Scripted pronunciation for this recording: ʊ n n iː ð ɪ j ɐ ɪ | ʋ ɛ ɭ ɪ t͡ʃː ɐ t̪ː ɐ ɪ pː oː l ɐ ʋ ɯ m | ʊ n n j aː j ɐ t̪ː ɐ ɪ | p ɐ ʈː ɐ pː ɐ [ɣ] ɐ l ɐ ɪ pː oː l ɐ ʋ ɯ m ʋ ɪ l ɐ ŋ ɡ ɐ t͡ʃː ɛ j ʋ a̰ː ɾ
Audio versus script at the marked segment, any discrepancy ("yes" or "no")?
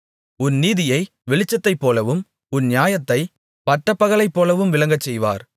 no